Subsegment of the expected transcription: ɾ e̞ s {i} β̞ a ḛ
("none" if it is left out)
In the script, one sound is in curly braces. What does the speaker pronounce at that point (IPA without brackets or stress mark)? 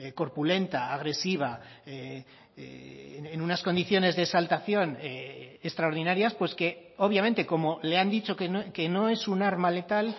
i